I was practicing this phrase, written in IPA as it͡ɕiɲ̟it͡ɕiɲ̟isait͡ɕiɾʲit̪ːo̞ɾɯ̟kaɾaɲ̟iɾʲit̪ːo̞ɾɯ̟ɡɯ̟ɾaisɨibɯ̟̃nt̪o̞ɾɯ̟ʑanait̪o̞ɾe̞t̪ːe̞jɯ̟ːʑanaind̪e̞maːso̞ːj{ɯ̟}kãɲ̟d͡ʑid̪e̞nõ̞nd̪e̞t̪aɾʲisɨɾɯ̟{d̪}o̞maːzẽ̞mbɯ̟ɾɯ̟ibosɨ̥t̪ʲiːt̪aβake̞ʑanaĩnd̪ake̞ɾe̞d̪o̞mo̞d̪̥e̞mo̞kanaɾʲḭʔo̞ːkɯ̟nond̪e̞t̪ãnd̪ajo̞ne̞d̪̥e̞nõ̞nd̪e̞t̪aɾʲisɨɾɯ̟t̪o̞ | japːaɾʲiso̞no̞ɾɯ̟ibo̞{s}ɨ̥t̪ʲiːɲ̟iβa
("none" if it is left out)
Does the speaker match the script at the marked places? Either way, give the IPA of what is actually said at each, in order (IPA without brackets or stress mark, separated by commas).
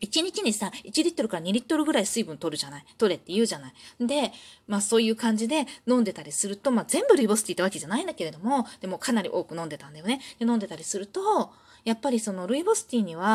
ɯ̟ː, t̪, s